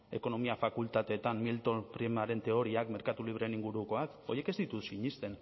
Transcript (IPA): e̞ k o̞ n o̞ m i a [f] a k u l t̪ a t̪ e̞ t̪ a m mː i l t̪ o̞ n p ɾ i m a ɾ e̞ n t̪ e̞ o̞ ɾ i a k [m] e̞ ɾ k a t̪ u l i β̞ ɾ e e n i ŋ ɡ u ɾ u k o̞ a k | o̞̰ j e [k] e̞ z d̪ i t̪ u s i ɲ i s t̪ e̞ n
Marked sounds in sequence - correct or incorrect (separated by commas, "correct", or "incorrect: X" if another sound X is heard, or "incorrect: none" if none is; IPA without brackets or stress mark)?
correct, correct, correct